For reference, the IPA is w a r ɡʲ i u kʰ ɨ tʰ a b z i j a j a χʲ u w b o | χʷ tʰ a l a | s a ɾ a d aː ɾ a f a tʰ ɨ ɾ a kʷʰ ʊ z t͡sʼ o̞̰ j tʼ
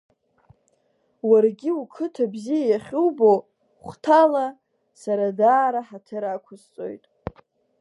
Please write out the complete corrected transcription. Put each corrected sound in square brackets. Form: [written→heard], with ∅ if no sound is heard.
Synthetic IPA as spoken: w a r ɡʲ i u kʰ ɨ tʰ a b z i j a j a χʲ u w b o | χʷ tʰ a l a | s a ɾ a d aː ɾ a [f→ħ] a tʰ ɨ ɾ a kʷʰ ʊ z t͡sʼ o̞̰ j tʼ